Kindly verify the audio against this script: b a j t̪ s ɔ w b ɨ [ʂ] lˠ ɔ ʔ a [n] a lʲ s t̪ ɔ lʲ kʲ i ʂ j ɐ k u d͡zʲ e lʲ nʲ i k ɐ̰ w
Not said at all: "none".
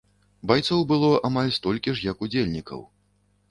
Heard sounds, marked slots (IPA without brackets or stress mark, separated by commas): none, m